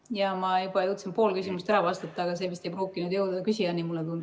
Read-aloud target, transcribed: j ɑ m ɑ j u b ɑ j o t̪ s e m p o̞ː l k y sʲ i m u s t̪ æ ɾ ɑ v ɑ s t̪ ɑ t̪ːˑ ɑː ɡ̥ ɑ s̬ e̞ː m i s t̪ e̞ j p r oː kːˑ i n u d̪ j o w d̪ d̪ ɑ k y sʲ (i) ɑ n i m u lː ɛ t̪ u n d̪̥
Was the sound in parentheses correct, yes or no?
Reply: yes